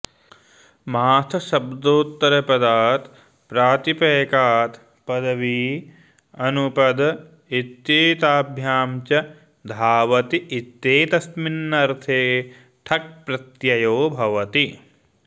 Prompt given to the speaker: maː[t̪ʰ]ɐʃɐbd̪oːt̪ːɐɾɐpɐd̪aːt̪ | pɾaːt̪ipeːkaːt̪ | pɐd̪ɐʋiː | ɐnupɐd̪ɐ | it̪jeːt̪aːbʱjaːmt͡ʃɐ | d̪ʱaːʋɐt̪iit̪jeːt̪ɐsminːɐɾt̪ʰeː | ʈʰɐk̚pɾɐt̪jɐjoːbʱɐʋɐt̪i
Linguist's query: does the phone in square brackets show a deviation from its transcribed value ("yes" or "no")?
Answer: no